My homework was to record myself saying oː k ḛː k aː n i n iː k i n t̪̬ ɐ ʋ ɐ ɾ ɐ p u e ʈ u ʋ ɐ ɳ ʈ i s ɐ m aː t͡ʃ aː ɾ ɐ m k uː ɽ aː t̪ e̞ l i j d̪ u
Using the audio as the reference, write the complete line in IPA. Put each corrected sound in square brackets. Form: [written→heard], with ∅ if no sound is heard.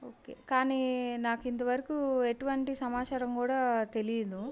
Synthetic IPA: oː k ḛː k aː n i n [iː→aː] k i n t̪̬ ɐ ʋ ɐ ɾ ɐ [p→k] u e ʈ u ʋ ɐ ɳ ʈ i s ɐ m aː t͡ʃ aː ɾ ɐ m k uː ɽ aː t̪ e̞ l i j d̪ u